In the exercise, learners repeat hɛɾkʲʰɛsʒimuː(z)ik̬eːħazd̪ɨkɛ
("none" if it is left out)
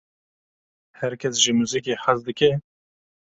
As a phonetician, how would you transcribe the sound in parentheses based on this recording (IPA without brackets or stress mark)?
z